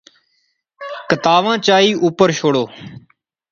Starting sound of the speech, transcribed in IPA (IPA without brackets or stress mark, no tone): k